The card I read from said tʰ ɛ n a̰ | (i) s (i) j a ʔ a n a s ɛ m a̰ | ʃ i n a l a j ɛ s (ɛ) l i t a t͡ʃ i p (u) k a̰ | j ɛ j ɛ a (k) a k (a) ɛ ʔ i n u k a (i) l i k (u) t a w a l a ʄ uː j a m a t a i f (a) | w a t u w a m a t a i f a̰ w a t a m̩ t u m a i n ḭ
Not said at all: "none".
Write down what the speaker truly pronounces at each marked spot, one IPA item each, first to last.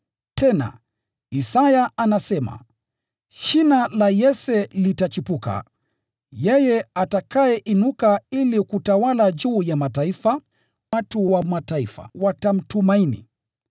i, a, ɛ, u, t, a, i, u, a

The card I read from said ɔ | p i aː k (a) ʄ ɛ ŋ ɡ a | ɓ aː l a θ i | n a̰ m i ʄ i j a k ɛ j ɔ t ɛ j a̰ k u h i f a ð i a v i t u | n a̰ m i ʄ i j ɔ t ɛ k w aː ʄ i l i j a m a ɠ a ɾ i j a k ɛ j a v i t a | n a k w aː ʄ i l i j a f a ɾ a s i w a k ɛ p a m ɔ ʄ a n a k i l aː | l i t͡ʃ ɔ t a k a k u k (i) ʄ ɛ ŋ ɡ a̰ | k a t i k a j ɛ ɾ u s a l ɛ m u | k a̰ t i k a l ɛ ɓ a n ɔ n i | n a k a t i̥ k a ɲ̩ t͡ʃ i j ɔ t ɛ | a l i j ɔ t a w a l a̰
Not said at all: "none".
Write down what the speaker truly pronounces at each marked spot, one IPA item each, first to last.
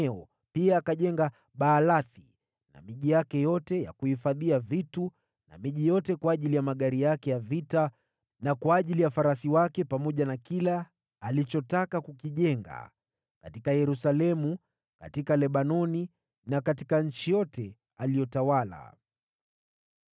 a, i

